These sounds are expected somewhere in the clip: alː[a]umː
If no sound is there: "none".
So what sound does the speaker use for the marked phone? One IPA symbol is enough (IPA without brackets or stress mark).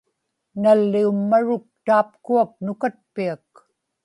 i